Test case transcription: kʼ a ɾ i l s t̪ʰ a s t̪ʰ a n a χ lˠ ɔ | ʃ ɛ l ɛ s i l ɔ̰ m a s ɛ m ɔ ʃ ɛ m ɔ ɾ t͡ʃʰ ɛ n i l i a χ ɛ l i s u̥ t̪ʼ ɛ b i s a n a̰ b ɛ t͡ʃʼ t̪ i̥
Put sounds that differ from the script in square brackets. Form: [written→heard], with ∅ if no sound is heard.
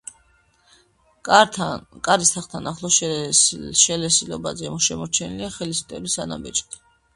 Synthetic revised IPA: kʼ a ɾ i [l→∅] s t̪ʰ a [s→χ] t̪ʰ a n a χ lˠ ɔ | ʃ ɛ l ɛ s i l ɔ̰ [m→b] a [s→z] ɛ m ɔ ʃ ɛ m ɔ ɾ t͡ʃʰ ɛ n i l i a χ ɛ l i s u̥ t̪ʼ ɛ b i s a n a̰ b ɛ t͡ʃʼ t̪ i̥